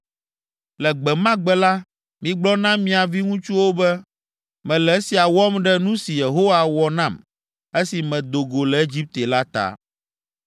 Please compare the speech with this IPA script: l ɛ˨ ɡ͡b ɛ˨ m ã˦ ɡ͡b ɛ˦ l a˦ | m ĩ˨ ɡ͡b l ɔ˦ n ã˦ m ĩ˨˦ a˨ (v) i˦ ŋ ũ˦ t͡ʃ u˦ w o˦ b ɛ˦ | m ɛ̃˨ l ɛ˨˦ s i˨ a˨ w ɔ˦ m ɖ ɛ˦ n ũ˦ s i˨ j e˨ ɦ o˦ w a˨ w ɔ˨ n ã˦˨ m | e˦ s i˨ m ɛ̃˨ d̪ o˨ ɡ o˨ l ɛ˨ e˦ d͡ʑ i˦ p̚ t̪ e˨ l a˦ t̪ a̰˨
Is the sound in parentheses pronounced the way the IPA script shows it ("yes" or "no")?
yes